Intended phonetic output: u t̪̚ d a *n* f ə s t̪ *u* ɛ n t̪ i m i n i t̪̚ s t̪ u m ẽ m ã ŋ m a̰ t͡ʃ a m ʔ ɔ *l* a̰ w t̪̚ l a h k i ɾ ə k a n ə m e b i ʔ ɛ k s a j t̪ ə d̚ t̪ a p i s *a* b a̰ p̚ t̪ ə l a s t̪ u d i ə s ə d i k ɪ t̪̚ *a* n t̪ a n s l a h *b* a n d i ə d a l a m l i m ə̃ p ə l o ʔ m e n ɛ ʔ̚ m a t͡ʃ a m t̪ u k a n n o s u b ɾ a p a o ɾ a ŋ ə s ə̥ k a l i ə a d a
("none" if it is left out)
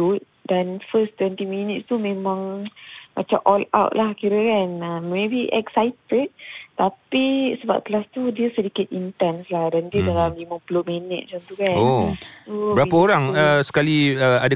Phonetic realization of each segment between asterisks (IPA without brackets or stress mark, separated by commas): n, w, l, ə, i, d